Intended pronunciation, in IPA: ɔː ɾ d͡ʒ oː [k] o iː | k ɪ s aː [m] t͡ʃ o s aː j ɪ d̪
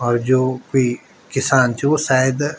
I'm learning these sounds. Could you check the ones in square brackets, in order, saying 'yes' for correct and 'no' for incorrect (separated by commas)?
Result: yes, no